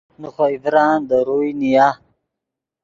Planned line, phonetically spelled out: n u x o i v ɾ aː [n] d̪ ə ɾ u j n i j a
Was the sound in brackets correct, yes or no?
yes